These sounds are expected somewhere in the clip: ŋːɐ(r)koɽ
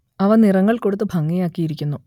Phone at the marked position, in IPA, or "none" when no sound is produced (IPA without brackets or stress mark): ɭ